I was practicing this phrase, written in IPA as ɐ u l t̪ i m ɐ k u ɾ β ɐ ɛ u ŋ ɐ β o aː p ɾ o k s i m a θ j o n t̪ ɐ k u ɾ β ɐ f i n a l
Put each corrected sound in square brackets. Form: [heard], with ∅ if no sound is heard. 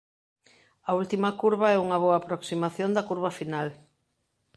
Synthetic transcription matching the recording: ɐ u l t̪ i m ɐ k u ɾ β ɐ ɛ u ŋ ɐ β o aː p ɾ o k s i m a θ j o n [d̪] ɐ k u ɾ β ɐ f i n a l